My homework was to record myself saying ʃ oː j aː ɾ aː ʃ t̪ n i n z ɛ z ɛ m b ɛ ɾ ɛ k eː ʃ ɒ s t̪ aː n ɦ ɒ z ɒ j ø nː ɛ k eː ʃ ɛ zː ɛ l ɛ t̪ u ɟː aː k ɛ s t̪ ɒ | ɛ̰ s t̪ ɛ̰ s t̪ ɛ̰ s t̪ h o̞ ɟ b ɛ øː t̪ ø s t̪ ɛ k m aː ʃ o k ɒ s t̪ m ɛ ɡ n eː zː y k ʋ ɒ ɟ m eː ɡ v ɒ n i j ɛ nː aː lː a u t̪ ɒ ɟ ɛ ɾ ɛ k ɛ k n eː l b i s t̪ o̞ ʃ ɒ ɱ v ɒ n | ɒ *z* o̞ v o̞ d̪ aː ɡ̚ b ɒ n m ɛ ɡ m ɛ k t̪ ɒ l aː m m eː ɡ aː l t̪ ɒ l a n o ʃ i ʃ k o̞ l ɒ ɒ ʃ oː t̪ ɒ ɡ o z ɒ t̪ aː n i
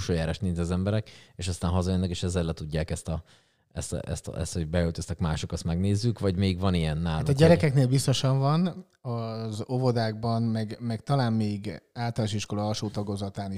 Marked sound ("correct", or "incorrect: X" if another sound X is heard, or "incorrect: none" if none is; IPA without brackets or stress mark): correct